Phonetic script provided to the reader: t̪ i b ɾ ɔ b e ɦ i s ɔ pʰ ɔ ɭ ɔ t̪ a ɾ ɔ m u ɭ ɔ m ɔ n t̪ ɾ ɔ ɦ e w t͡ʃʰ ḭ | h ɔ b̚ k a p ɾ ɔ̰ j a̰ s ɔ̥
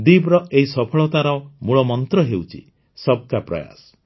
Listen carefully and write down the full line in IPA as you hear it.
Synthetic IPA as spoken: d̪ i b ɾ ɔ e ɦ i s ɔ pʰ ɔ ɭ ɔ t̪ a ɾ ɔ m u ɭ ɔ m ɔ n t̪ ɾ ɔ ɦ e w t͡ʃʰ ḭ | s ɔ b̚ k a p ɾ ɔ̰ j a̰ s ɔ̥